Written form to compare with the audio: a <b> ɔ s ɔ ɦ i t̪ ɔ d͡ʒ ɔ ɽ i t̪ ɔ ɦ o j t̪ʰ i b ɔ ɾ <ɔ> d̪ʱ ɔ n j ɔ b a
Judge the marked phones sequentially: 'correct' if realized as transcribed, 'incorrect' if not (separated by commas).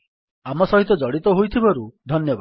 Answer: incorrect, incorrect